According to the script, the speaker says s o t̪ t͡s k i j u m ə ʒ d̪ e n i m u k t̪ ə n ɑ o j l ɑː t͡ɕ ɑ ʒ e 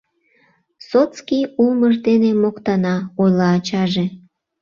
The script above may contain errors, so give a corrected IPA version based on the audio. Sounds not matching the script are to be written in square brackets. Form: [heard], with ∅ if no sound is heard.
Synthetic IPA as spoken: s o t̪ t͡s k i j u m ə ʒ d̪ e n [e] m [o] k t̪ [ɑ] n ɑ o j l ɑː t͡ɕ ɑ ʒ e